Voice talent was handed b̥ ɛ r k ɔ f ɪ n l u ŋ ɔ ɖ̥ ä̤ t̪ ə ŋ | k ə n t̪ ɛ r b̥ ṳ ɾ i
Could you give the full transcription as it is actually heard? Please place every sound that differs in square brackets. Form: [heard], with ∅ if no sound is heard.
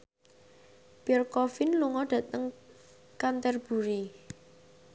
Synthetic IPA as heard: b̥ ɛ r k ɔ f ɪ n l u ŋ ɔ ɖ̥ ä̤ t̪ ə ŋ | k [a] n t̪ ɛ r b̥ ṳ ɾ i